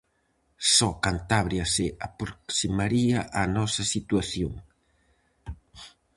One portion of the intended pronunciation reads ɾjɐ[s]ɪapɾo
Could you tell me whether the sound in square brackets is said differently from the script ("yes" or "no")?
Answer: no